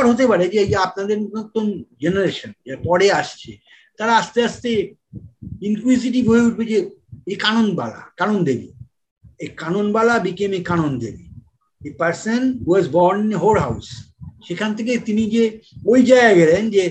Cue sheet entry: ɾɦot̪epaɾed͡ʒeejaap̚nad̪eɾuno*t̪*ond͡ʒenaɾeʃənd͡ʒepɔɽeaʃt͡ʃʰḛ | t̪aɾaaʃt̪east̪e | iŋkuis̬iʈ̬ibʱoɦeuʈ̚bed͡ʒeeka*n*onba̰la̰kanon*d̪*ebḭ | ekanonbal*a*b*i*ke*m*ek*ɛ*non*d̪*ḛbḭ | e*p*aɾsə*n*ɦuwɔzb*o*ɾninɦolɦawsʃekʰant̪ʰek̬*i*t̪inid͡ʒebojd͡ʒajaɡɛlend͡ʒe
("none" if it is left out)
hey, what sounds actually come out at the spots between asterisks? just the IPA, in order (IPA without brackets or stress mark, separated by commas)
t̪, n, d̪, a, i, m, a, d̪, p, n, ɔ, e